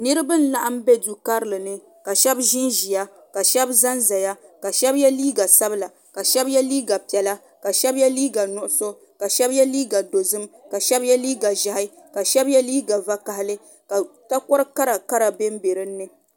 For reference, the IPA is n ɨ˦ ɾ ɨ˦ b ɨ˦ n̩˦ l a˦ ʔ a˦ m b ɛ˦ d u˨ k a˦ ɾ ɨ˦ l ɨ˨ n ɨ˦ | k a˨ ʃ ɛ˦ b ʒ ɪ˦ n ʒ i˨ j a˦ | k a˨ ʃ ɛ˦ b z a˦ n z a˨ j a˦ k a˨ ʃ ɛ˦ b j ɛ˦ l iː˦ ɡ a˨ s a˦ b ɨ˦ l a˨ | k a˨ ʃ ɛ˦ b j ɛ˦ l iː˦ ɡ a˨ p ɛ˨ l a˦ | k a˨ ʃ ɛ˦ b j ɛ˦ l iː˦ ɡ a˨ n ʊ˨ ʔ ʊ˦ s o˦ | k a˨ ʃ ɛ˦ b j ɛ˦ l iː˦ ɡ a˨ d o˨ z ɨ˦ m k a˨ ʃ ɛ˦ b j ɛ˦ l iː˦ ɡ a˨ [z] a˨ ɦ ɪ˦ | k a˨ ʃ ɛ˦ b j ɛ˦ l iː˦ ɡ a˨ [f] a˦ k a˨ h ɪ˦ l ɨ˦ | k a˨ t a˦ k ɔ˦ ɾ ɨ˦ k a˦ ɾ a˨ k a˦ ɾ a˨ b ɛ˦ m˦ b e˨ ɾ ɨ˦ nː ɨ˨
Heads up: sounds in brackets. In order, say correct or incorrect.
incorrect: ʒ, incorrect: v

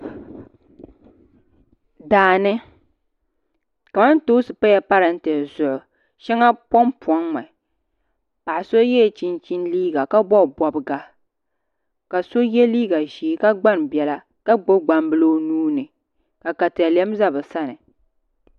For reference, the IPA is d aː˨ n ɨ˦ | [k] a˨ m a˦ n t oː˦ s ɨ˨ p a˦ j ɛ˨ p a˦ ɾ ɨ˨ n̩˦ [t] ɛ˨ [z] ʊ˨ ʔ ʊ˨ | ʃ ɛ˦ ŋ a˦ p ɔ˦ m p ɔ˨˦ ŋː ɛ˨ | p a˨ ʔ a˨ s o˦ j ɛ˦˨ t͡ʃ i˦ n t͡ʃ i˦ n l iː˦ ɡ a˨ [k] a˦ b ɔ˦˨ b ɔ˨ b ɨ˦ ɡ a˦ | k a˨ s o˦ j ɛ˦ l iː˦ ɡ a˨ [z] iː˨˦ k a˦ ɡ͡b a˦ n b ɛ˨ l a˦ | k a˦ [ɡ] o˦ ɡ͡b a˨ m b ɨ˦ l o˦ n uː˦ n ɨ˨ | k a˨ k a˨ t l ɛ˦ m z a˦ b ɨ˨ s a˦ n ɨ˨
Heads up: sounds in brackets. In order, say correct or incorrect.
correct, correct, correct, correct, incorrect: ʒ, incorrect: ɡ͡b

